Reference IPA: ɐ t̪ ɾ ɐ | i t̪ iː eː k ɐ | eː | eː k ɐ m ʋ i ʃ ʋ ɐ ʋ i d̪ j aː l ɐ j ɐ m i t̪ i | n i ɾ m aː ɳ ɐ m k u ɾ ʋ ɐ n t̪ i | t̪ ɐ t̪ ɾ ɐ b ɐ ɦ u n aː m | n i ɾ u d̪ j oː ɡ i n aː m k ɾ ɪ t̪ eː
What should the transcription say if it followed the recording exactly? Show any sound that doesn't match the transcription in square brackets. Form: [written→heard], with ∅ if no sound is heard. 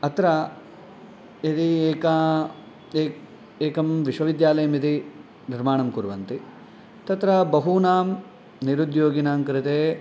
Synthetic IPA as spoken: ɐ t̪ ɾ ɐ | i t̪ [iː→i] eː k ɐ | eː | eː k ɐ m ʋ i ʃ ʋ ɐ ʋ i d̪ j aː l ɐ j ɐ m i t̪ i | n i ɾ m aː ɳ ɐ m k u ɾ ʋ ɐ n t̪ i | t̪ ɐ t̪ ɾ ɐ b ɐ ɦ u n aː m | n i ɾ u d̪ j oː ɡ i n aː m k ɾ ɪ t̪ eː